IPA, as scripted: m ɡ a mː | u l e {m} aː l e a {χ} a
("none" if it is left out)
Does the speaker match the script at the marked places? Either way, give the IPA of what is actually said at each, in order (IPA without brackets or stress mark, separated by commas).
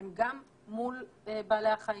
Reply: b, χ